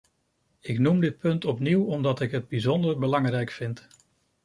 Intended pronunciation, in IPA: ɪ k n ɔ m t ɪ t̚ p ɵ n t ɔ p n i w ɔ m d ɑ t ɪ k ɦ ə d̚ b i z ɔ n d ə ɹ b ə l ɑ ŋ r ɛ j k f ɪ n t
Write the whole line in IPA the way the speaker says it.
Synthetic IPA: ɪ k n u m d ɪ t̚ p ɵ n t ɔ p n i w ɔ m d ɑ t ɪ k ɦ ə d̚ b i z ɔ n d ə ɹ b ə l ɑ ŋ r ɛ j k f ɪ n t